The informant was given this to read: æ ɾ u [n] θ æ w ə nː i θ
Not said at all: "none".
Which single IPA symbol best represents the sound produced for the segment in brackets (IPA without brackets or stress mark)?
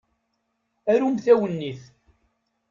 m